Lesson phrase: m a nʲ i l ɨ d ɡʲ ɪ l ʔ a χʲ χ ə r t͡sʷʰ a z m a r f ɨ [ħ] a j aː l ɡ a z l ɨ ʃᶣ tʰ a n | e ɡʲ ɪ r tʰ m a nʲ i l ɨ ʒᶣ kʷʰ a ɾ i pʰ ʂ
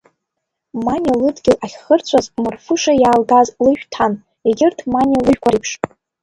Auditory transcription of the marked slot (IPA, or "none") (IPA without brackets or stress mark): ʂ